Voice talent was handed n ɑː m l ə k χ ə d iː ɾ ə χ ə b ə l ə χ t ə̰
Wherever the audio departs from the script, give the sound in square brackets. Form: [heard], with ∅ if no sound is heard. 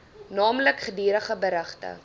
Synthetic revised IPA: n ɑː m l ə k χ ə d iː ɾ ə χ ə b ə [ɾ] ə χ t ə̰